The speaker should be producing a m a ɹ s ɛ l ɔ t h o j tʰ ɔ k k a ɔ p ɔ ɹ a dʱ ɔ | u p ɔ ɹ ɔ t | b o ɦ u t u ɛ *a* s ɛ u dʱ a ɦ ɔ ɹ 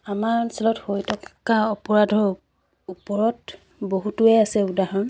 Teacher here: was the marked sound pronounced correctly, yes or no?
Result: yes